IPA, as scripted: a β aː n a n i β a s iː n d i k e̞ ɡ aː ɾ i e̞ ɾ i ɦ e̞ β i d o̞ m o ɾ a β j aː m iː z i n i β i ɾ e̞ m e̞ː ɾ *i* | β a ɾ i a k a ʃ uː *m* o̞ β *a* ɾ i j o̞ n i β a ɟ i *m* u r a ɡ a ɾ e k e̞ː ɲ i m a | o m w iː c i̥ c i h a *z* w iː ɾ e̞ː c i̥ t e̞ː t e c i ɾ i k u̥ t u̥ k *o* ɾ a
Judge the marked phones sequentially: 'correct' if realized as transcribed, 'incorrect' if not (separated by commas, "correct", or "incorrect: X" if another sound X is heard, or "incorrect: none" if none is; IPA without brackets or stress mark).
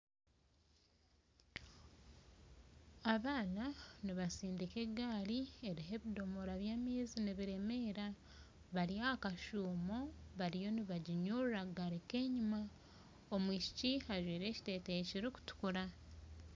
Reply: incorrect: a, correct, correct, incorrect: ɲ, incorrect: ʒ, incorrect: u